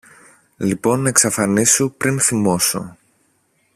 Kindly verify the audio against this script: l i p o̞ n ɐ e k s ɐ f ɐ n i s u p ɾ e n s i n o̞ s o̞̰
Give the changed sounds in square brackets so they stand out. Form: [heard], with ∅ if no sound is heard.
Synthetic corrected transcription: l i p o̞ n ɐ e k s ɐ f ɐ n i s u p ɾ [i] n [θ] i [m] o̞ s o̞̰